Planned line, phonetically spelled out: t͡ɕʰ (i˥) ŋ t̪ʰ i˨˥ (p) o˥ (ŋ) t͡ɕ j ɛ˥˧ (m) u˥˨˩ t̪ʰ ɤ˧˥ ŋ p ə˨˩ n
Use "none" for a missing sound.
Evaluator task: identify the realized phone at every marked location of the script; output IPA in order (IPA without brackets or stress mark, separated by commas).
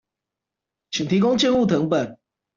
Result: i˨, k, ŋ, n